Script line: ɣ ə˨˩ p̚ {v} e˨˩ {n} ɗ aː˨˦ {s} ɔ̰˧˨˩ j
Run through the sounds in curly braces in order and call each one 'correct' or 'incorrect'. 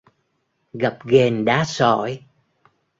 incorrect: ɣ, correct, correct

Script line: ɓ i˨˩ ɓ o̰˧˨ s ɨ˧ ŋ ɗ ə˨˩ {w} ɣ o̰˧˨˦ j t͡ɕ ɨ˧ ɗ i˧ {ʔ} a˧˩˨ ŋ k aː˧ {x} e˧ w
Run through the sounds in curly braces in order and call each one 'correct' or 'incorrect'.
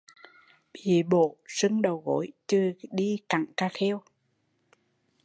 correct, incorrect: k, correct

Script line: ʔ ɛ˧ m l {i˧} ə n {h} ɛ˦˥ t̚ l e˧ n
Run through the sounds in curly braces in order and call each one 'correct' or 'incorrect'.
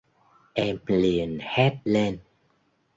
incorrect: i˨˩, correct

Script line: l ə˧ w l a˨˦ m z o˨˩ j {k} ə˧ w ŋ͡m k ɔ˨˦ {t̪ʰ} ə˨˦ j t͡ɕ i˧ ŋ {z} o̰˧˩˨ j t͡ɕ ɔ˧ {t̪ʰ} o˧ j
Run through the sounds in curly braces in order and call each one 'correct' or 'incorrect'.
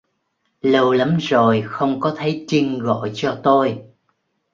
incorrect: x, correct, incorrect: ɣ, incorrect: t̪

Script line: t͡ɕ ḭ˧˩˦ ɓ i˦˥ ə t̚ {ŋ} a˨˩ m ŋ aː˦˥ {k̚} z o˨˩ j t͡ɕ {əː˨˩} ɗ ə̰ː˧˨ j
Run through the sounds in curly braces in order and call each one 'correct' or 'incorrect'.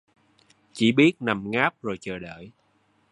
incorrect: n, incorrect: p̚, correct

